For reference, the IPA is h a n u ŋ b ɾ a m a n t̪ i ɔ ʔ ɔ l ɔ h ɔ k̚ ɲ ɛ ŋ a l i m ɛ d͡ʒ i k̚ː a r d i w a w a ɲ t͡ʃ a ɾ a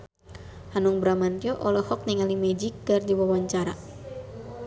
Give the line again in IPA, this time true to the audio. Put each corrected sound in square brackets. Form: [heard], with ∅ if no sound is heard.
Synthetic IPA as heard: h a n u ŋ b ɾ a m a n t̪ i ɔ ʔ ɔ l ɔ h ɔ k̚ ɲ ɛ ŋ a l i m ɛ d͡ʒ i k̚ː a r d i w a w a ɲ t͡ʃ a ɾ a